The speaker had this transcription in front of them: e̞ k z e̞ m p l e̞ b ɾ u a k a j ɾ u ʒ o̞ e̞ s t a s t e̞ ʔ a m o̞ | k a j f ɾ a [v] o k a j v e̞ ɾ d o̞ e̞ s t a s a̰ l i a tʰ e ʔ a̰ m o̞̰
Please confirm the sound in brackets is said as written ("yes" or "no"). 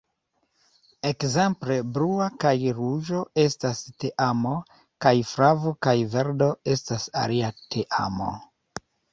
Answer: yes